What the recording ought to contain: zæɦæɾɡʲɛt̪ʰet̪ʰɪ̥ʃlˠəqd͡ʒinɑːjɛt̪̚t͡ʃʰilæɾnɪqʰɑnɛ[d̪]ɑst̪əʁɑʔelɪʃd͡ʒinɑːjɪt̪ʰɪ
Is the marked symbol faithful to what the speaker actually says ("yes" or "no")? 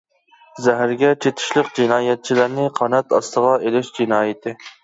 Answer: no